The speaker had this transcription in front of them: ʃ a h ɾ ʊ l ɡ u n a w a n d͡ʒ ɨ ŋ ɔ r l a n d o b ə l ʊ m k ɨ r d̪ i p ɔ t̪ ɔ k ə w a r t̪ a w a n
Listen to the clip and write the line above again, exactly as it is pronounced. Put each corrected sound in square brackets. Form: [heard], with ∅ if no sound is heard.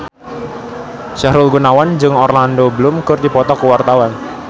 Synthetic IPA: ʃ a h ɾ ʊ l ɡ u n a w a n d͡ʒ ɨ ŋ ɔ r l a n d o b ə l ʊ m k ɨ r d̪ i p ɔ t̪ ɔ k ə w a r t̪ a w a n

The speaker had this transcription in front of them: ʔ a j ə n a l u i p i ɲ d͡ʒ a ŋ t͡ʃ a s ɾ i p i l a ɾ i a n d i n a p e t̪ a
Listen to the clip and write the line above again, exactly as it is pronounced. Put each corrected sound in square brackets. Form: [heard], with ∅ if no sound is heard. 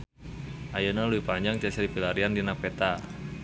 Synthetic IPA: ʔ a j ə n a l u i p [a] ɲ d͡ʒ a ŋ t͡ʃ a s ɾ i p i l a ɾ i a n d i n a p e t̪ a

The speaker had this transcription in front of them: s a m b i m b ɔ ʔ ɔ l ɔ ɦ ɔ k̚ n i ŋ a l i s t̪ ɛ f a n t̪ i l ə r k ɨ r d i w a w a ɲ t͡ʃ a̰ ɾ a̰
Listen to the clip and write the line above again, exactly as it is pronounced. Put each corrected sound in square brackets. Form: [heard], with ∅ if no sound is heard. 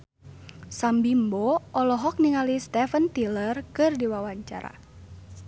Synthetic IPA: s a m b i m b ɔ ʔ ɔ l ɔ ɦ ɔ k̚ n i ŋ a l i s t̪ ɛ f [ə] n t̪ i l ə r k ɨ r d i w a w a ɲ t͡ʃ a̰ ɾ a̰

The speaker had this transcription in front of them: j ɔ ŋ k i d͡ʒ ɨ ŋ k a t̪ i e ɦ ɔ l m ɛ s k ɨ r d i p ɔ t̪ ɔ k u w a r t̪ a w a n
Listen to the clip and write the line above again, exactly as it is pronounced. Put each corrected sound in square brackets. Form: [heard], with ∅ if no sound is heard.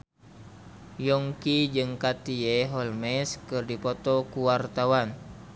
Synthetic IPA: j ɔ ŋ k i d͡ʒ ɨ ŋ k a t̪ i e ɦ ɔ l m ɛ s k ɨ r d i p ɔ t̪ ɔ k u w a r t̪ a w a n

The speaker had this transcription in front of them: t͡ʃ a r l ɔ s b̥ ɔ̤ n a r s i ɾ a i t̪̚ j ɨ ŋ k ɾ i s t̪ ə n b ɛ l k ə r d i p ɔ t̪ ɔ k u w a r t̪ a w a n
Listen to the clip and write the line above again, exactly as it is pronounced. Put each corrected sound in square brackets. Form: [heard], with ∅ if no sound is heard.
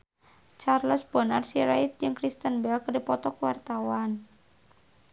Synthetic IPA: t͡ʃ a r l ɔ s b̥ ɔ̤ n a r s i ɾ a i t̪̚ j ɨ ŋ k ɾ i s t̪ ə n b ɛ l k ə r d i p ɔ t̪ ɔ k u w a r t̪ a w a n

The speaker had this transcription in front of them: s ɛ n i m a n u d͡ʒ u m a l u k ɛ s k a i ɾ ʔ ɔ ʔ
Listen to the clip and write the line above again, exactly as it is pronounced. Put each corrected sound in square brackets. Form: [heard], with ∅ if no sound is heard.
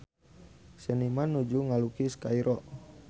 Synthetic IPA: s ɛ n i m a n u d͡ʒ u [ŋ] a l u k [i] s k a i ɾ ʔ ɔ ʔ

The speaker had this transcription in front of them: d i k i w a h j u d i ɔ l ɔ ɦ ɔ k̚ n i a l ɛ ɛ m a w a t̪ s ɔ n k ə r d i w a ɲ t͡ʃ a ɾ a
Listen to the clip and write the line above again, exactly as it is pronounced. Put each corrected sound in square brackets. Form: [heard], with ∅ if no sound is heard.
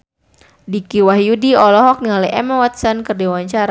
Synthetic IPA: d i k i w a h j u d i ɔ l ɔ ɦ ɔ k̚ n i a l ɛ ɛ m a w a t̪ s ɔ n k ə r d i w a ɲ t͡ʃ a ɾ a

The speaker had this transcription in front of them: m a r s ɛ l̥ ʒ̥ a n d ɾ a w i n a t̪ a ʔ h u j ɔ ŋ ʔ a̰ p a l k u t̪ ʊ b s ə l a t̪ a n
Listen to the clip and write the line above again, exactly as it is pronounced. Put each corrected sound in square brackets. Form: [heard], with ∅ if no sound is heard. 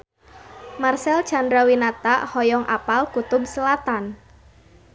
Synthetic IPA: m a r s ɛ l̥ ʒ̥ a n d ɾ a w i n a t̪ a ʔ h [ɔ] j ɔ ŋ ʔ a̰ p a l k u t̪ ʊ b s ə l a t̪ a n

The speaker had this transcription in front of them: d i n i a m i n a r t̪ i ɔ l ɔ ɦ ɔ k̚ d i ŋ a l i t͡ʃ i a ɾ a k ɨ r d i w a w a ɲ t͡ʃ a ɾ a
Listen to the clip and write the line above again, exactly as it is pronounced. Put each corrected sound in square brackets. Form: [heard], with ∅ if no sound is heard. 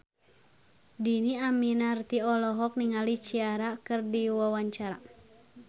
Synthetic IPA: d i n i a m i n a r t̪ i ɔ l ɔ ɦ ɔ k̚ [n] i ŋ a l i t͡ʃ i a ɾ a k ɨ r d i w a w a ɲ t͡ʃ a ɾ a

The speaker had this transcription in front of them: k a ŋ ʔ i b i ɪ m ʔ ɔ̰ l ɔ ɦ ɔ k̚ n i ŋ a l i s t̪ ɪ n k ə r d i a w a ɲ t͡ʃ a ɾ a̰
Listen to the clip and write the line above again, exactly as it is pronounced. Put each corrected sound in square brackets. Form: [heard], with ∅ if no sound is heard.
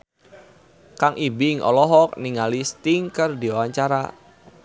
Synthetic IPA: k a ŋ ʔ i b i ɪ [ŋ] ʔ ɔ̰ l ɔ ɦ ɔ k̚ n i ŋ a l i s t̪ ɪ [ŋ] k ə r d i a w a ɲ t͡ʃ a ɾ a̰

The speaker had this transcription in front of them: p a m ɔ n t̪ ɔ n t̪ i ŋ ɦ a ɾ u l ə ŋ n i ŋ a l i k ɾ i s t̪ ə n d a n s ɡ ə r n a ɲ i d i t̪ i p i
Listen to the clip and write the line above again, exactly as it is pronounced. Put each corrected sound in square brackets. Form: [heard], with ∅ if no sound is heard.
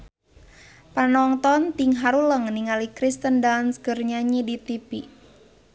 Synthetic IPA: p a [n] ɔ [ŋ] t̪ ɔ n t̪ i ŋ ɦ a ɾ u l ə ŋ n i ŋ a l i k ɾ i s t̪ ə n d a n s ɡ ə r [ɲ] a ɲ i d i t̪ i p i

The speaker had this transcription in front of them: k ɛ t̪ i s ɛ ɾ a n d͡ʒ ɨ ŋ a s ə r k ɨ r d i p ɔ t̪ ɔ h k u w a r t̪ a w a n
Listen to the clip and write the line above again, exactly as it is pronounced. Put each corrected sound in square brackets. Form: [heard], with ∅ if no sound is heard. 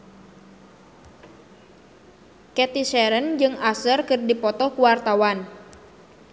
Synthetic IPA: k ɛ t̪ i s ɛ ɾ [ə] n d͡ʒ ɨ ŋ a s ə r k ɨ r d i p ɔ t̪ ɔ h k u w a r t̪ a w a n

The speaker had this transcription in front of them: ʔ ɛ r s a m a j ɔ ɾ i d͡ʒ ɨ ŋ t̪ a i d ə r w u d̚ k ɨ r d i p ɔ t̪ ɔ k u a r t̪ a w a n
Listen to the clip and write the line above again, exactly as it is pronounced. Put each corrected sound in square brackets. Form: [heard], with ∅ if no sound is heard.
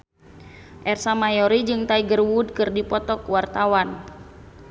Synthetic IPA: ʔ ɛ r s a m a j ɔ ɾ i d͡ʒ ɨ ŋ t̪ a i [ɡ] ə r w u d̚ k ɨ r d i p ɔ t̪ ɔ k [w] a r t̪ a w a n

